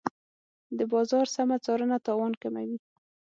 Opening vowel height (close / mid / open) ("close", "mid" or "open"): mid